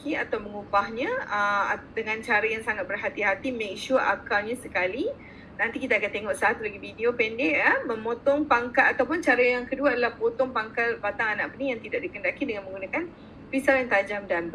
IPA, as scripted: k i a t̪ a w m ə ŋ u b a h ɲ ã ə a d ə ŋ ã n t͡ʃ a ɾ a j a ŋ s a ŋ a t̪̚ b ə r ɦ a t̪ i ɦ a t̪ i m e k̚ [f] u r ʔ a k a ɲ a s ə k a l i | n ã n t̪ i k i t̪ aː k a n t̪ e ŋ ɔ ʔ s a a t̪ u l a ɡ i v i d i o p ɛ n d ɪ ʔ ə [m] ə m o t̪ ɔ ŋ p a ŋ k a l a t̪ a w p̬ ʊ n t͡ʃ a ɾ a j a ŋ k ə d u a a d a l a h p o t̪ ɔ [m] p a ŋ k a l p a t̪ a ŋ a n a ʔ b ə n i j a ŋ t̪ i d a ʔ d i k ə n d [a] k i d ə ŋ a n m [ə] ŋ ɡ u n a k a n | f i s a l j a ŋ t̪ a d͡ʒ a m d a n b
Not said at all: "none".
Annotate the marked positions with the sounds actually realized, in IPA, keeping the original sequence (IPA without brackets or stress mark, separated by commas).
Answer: ʃ, m, ŋ, a, ə